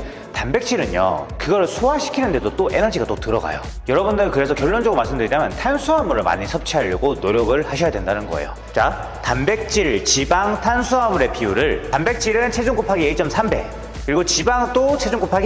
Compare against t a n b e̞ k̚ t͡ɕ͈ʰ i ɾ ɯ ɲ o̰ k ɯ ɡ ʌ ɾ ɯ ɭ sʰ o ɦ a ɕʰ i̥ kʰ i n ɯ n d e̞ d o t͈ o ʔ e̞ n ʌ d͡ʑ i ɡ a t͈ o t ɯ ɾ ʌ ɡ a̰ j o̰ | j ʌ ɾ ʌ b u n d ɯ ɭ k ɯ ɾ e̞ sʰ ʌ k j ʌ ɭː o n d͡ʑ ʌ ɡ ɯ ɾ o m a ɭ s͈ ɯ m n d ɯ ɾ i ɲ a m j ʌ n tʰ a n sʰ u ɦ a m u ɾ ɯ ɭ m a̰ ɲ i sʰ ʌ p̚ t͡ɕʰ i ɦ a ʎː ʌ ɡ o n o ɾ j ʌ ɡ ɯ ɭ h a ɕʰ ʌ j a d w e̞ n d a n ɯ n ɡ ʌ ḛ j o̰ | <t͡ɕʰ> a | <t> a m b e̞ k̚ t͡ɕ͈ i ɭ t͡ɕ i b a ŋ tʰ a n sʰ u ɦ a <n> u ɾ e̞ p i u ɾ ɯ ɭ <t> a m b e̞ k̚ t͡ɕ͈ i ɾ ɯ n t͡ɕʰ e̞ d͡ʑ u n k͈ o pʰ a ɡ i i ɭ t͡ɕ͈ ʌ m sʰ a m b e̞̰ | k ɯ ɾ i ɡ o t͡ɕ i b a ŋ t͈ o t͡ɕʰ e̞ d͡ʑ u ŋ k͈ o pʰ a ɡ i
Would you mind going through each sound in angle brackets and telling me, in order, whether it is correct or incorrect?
incorrect: t͡ɕ, correct, incorrect: m, correct

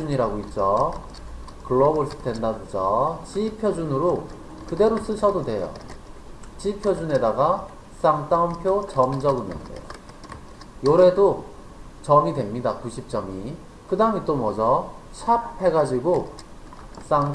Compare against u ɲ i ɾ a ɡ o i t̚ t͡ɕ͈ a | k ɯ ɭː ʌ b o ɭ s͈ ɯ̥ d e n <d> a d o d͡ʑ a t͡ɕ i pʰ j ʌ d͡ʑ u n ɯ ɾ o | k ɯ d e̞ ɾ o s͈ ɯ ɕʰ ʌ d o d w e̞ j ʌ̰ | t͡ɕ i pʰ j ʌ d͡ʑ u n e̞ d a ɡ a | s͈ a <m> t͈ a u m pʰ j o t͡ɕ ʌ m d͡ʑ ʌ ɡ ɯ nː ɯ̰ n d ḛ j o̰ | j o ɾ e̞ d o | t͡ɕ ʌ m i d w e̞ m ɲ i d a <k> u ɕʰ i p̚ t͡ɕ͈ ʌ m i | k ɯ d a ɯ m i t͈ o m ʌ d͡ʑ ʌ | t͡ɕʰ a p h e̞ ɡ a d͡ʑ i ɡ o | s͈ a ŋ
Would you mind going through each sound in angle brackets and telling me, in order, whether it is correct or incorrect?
correct, incorrect: ŋ, correct

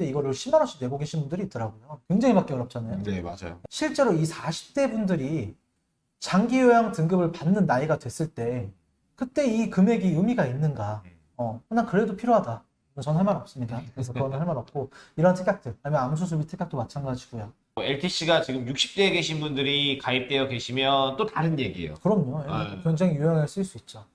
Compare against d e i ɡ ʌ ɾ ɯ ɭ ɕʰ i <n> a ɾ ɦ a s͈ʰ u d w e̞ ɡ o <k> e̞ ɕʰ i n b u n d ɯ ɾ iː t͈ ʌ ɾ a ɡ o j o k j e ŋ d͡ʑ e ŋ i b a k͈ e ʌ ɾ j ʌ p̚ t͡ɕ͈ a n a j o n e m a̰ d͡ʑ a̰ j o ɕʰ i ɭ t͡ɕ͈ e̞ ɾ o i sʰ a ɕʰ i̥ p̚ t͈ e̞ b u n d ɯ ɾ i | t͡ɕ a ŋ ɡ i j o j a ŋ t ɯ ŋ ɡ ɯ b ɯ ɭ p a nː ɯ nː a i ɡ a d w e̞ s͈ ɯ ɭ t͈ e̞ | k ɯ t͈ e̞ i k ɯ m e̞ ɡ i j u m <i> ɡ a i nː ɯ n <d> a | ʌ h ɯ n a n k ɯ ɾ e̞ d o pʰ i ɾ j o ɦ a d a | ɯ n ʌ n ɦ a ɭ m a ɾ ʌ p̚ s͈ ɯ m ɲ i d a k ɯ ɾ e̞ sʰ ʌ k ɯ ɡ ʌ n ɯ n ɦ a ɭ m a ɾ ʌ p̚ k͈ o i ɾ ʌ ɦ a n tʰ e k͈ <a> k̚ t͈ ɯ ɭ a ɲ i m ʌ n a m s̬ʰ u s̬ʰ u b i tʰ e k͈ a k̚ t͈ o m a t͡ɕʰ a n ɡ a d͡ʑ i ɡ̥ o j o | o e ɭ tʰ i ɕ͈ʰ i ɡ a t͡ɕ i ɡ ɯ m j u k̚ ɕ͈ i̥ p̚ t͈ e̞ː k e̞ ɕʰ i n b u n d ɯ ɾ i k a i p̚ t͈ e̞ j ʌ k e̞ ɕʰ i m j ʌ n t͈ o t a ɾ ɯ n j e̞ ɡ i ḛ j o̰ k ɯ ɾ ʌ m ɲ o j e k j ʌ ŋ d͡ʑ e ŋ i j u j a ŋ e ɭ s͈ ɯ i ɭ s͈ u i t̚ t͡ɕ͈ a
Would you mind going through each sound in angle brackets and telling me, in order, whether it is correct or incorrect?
incorrect: m, incorrect: ɡ, correct, incorrect: ɡ, correct

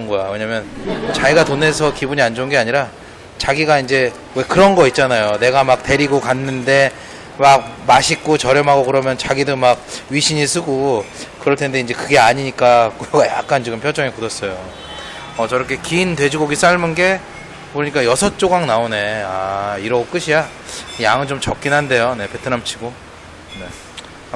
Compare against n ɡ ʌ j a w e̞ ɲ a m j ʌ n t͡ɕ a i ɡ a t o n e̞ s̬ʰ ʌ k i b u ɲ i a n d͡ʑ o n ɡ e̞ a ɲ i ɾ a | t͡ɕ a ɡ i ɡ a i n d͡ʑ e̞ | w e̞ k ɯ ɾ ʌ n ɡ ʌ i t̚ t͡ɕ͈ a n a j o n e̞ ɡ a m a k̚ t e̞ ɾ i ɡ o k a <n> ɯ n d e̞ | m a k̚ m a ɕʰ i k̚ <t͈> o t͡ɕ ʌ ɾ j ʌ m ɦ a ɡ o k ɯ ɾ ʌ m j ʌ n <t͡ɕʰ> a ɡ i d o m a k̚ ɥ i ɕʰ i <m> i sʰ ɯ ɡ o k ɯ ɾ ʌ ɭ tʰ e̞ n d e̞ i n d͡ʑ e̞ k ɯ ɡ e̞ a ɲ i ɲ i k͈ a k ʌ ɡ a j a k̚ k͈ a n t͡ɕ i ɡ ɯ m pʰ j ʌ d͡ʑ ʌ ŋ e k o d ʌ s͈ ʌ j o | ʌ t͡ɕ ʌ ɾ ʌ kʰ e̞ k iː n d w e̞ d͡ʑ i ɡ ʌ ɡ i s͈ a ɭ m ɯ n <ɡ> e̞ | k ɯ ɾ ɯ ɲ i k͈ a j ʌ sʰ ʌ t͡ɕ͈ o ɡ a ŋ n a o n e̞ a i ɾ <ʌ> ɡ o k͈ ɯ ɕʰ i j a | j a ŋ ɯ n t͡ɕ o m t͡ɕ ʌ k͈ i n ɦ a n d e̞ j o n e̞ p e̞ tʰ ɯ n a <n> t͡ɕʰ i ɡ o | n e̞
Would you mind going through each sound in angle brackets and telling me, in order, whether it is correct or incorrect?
incorrect: nː, incorrect: k͈, incorrect: t͡ɕ, incorrect: ɲ, correct, correct, incorrect: m

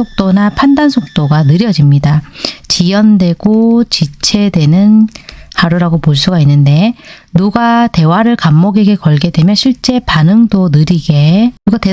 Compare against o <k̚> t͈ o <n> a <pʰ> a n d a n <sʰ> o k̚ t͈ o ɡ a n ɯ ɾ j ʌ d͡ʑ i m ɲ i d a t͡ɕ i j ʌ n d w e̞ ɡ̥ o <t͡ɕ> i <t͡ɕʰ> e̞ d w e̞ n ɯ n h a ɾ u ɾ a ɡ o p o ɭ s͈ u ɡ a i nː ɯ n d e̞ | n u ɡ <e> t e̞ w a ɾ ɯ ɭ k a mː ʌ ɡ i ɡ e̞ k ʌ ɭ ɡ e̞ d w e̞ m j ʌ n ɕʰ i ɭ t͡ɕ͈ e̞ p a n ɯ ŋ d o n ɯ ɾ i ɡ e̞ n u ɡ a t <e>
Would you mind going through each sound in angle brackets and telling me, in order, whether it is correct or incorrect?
correct, correct, correct, correct, correct, correct, incorrect: a, correct

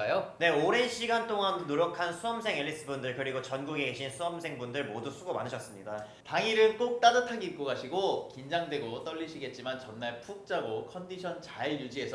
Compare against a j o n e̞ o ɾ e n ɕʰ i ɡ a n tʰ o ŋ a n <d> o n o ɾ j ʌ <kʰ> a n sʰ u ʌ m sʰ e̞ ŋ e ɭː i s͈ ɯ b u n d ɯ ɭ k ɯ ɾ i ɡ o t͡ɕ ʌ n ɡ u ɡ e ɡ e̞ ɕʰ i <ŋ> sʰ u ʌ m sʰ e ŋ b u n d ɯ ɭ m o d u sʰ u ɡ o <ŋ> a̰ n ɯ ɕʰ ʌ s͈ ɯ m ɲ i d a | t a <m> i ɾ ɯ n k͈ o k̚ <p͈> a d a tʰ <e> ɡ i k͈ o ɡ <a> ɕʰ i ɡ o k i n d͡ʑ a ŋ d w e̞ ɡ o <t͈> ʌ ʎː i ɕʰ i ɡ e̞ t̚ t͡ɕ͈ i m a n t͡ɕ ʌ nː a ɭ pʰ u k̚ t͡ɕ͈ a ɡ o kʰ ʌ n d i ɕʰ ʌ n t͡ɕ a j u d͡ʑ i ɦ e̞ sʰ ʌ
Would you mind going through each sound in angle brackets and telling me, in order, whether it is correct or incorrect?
correct, correct, incorrect: n, incorrect: m, incorrect: ŋ, incorrect: t͈, incorrect: a, correct, correct

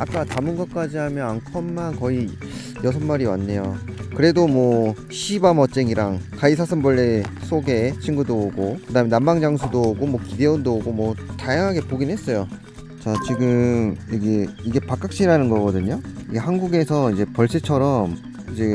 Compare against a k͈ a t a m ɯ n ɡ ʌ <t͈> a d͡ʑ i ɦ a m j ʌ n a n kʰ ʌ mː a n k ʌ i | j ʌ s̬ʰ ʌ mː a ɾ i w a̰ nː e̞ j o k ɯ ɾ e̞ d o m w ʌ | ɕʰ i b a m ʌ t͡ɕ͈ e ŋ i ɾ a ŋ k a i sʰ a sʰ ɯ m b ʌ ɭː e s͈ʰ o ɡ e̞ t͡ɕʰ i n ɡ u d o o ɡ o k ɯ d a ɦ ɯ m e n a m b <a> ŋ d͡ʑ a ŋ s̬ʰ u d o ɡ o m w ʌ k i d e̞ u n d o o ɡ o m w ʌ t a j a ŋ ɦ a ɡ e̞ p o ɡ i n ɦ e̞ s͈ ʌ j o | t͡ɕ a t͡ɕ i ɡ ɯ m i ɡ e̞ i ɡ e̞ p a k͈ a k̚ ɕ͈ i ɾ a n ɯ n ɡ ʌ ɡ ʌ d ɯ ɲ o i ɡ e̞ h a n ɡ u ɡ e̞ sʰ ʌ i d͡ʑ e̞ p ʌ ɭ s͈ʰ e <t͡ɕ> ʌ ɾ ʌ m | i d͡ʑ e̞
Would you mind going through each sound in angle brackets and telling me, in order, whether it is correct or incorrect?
incorrect: k͈, correct, incorrect: t͡ɕʰ

